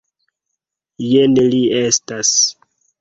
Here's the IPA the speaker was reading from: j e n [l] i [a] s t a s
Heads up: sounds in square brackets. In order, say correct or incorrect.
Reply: correct, incorrect

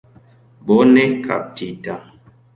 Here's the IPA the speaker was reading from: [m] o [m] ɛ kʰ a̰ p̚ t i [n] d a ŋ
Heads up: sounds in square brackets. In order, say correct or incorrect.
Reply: incorrect, incorrect, incorrect

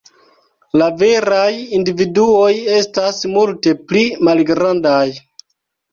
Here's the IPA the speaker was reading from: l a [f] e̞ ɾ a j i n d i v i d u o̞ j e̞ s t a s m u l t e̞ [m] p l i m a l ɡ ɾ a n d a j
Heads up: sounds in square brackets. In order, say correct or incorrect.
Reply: incorrect, incorrect

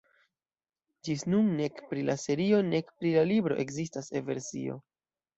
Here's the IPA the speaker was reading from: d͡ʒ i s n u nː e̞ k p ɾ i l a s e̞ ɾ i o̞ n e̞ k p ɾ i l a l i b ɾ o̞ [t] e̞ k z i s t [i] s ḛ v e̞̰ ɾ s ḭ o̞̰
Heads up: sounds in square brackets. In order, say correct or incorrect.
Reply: incorrect, incorrect

